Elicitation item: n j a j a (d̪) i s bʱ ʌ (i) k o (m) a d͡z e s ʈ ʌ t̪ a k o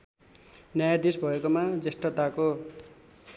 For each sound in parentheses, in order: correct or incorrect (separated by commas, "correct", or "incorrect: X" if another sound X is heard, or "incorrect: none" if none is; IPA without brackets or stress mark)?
correct, incorrect: e, correct